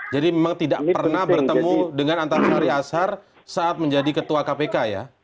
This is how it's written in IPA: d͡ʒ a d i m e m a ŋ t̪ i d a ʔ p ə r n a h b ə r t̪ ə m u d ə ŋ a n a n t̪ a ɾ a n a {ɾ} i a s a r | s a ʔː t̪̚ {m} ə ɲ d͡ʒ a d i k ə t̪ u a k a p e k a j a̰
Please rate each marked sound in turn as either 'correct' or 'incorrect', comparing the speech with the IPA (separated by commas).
correct, correct